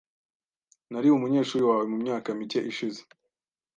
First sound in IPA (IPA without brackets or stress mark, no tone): n